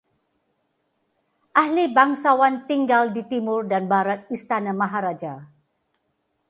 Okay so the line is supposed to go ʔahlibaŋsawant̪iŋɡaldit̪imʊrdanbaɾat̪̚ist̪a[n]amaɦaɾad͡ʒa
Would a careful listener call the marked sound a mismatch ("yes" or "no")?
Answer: no